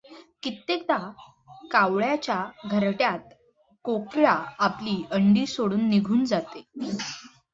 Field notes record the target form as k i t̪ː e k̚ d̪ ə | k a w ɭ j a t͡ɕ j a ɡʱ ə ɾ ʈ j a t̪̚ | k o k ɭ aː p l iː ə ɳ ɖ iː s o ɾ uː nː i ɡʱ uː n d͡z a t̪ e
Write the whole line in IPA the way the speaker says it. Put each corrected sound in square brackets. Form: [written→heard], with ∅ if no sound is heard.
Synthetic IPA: k i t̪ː e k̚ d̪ [ə→a] | k a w ɭ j a t͡ɕ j a ɡʱ ə ɾ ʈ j a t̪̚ | k o k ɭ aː p l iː ə ɳ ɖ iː s o [ɾ→ɽ] uː nː i ɡʱ uː n d͡z a t̪ e